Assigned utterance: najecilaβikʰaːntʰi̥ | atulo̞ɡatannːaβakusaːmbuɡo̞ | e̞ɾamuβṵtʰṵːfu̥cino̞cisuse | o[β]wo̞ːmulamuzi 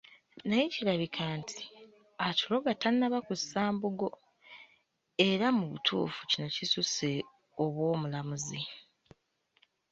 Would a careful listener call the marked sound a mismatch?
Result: no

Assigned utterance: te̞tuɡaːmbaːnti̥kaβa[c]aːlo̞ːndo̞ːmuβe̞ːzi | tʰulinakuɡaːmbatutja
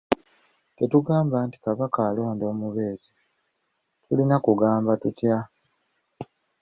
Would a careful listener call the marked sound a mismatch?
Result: yes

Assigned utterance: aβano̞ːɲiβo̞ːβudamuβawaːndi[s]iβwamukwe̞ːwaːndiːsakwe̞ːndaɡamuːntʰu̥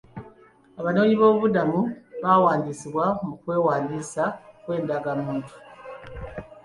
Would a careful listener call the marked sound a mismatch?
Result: no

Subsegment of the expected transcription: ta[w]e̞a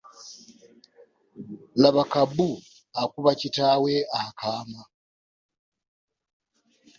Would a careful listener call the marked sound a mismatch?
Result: no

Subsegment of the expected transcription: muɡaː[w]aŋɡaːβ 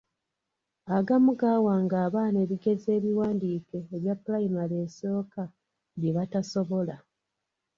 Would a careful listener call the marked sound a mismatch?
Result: no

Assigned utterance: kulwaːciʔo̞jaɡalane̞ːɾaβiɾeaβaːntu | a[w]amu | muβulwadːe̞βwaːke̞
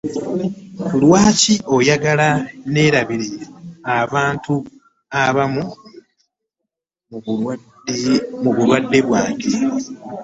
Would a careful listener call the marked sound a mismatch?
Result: yes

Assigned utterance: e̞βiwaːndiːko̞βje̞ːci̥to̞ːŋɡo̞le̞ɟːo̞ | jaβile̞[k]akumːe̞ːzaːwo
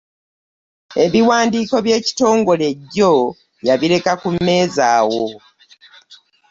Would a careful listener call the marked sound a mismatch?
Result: no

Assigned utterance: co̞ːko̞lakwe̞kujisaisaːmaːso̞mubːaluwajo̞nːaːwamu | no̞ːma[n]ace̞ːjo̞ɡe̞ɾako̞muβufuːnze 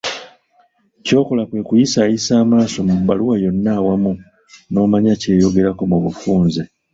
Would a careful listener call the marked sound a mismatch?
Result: yes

